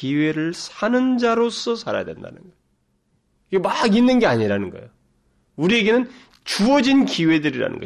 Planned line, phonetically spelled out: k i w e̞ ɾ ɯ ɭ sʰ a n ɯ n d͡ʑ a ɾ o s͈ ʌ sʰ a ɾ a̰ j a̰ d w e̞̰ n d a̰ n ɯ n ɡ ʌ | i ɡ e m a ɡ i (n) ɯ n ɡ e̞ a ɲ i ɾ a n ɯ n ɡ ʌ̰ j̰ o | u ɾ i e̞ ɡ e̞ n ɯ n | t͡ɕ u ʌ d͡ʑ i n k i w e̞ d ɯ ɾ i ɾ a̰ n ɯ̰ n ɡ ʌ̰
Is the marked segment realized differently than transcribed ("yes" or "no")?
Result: yes